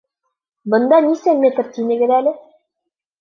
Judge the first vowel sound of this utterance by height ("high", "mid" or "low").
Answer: mid